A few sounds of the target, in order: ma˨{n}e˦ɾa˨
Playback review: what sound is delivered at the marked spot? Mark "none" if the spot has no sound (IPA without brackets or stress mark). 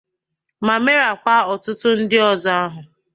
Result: m